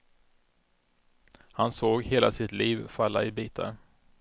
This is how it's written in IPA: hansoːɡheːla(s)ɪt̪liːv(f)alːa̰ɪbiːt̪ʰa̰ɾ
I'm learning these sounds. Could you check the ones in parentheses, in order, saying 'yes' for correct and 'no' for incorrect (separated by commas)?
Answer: yes, yes